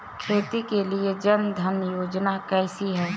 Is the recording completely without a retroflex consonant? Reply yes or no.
yes